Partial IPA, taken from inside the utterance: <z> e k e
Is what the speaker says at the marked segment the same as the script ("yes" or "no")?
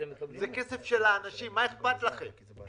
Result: yes